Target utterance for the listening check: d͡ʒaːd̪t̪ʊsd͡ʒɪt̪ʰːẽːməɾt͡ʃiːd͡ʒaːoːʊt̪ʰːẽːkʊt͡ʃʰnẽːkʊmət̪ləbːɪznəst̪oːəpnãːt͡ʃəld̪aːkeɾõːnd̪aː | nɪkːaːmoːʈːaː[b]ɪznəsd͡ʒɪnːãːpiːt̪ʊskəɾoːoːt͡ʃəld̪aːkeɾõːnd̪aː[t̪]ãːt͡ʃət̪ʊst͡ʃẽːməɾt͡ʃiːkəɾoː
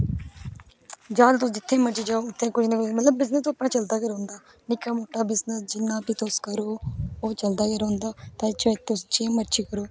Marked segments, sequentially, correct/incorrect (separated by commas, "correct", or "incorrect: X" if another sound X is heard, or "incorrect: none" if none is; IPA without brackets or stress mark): correct, correct